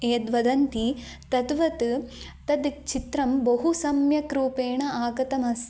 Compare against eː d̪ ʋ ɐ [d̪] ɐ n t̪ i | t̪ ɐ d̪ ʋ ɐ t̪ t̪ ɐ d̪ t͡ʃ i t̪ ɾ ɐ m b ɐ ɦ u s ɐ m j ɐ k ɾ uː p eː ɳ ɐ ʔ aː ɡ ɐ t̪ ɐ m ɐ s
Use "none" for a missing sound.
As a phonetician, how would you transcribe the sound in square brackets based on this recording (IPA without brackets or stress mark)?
d̪